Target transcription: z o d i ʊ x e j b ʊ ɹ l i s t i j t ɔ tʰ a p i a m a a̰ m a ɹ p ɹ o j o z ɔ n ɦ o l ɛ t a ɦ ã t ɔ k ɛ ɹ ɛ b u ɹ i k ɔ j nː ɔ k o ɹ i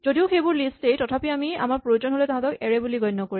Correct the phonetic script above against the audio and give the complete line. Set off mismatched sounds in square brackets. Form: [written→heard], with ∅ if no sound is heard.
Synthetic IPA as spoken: z o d i ʊ x e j b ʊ ɹ l i s t [i→e] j t ɔ tʰ a p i a m [a→i] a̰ m a ɹ p ɹ o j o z ɔ n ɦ o l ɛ t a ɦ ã t ɔ k ɛ ɹ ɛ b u [ɹ→l] i [k→ɡ] ɔ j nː ɔ k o ɹ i

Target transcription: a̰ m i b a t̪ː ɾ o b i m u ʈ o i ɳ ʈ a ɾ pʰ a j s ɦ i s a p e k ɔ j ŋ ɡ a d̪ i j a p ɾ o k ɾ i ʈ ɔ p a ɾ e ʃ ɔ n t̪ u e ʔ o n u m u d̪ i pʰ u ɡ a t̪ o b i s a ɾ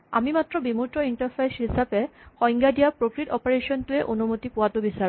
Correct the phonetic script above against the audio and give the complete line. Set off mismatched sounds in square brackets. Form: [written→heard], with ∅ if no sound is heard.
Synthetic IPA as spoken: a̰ m i [b→m] a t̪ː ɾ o b i m u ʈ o i ɳ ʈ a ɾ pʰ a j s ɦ i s a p e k ɔ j ŋ ɡ a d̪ i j a p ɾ o k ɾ i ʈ ɔ p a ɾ e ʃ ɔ n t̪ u e ʔ o n u m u [d̪→t̪] i [pʰ→p] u [ɡ→∅] a t̪ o b i s a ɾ

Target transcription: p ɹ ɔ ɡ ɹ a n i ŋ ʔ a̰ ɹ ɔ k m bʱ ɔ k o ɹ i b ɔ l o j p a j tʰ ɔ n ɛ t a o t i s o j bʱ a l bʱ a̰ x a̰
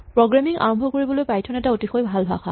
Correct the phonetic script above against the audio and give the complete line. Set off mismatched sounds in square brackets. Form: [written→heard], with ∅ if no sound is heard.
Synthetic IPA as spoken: p ɹ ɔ ɡ ɹ a [n→m] i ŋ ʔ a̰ ɹ ɔ [k→∅] m bʱ ɔ k o ɹ i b ɔ l o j p a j tʰ ɔ n ɛ t a o t i [s→x] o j bʱ a l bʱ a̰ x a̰

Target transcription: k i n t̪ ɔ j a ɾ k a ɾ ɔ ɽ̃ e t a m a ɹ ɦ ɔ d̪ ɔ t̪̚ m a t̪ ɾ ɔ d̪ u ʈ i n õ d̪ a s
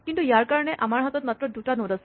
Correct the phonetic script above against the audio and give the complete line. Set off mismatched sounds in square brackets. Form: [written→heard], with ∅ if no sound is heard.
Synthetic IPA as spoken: k i n t̪ [ɔ→u] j a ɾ k a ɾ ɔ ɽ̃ e [t→ʔ] a m a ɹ ɦ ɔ [d̪→t̪] ɔ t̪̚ m a t̪ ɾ ɔ d̪ u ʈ [i→a] n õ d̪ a s

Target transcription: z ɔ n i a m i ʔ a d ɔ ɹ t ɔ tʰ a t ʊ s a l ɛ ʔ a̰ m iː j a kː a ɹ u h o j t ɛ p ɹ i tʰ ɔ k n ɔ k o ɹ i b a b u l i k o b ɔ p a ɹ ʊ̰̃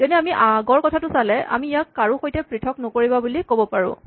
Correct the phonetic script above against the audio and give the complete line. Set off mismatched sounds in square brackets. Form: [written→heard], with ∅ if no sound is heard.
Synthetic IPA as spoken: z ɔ n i a m i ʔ a [d→ɡ] ɔ ɹ [t→k] ɔ tʰ a t ʊ s a l ɛ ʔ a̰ m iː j a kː a ɹ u [h→x] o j t ɛ p ɹ i tʰ ɔ k n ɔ k o ɹ i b a b u l i k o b ɔ p a ɹ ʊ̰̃

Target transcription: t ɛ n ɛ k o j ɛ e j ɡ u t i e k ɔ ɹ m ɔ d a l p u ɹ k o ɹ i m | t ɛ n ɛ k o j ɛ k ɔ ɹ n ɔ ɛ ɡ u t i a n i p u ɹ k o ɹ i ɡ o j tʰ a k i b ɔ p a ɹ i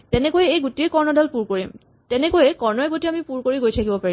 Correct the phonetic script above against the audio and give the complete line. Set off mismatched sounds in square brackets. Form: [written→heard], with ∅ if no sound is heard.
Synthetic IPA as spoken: t ɛ n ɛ k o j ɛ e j ɡ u t i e k ɔ ɹ [m→n] ɔ d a l p u ɹ k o ɹ i m | t ɛ n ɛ k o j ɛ k ɔ ɹ n ɔ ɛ ɡ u t i a [n→m] i p u ɹ k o ɹ i ɡ o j tʰ a k i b ɔ p a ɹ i

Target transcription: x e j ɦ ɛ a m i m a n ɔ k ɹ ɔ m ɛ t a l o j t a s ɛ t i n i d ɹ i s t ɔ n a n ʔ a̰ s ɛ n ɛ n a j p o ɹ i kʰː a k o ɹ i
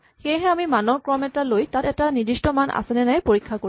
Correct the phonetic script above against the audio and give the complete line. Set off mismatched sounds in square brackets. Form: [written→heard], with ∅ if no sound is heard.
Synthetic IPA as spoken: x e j ɦ ɛ a m i m a n ɔ k ɹ ɔ m ɛ t a l o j t a [s→t] ɛ t [i→a] n i d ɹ i s t ɔ [n→m] a n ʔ a̰ s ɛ n ɛ n a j p o ɹ i kʰː a k o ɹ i

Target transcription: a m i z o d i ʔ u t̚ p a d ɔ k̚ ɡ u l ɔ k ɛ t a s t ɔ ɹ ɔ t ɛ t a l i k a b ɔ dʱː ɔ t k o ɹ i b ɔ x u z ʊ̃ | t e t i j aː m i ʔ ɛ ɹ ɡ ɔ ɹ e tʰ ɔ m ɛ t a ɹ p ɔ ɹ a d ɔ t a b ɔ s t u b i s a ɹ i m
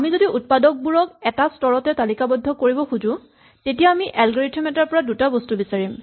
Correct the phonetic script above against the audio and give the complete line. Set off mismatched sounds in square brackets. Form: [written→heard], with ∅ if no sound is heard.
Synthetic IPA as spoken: a m i z o d i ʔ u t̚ p a d ɔ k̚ [ɡ→b] u [l→ɹ] ɔ k ɛ t a s t ɔ ɹ ɔ t ɛ t a l i k a b ɔ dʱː ɔ [t→∅] k o ɹ i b ɔ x u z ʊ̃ | t e t i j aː m i ʔ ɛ [ɹ→l] ɡ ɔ ɹ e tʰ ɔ m ɛ t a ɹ p ɔ ɹ a d [ɔ→u] t a b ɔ s t u b i s a ɹ i m

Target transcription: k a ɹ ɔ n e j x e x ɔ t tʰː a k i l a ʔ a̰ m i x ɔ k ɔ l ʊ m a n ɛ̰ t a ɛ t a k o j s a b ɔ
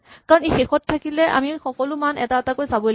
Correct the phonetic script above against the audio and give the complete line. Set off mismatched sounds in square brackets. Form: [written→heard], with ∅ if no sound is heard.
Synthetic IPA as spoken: k a ɹ ɔ n e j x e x ɔ t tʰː a k i l [a→ɛ] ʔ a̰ m i x ɔ k ɔ l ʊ m a n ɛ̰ t a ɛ t a k o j s a b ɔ

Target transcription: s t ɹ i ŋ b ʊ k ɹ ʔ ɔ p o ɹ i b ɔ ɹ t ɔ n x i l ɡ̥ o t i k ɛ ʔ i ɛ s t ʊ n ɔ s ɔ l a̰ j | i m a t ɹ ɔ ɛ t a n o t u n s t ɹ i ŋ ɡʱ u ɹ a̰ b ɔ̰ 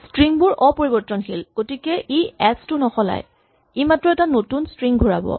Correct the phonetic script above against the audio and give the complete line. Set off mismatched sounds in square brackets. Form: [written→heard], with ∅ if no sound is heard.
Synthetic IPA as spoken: s t ɹ i ŋ b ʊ [k→∅] ɹ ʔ ɔ p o ɹ i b ɔ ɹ t ɔ n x i l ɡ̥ o t i k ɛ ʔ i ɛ s t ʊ n ɔ [s→x] ɔ l a̰ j | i m a t ɹ ɔ ɛ t a n o t u n s t ɹ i ŋ ɡʱ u ɹ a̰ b ɔ̰

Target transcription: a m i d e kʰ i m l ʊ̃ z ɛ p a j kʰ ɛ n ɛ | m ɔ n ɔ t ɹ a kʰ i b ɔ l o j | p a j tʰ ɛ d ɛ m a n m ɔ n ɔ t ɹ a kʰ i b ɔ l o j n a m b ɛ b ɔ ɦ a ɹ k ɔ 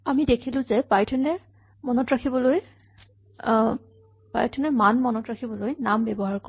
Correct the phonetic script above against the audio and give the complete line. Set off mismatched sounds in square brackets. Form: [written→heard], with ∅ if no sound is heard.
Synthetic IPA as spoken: a m i d e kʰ i [m→∅] l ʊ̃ z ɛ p a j [kʰ→tʰ] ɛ n ɛ | m ɔ n ɔ t ɹ a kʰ i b ɔ l o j | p a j tʰ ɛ [d→n] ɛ m a n m ɔ n ɔ t ɹ a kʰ i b ɔ l o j n a m b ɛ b ɔ ɦ a ɹ k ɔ

